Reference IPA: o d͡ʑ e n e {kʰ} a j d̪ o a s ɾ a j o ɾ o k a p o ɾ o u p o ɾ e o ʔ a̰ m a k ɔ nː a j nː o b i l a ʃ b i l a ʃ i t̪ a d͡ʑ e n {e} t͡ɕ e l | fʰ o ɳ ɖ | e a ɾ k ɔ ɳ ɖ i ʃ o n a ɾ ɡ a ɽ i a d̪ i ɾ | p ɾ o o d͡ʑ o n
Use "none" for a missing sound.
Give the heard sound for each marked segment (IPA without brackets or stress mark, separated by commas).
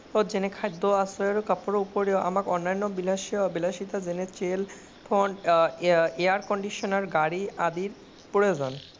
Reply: kʰ, e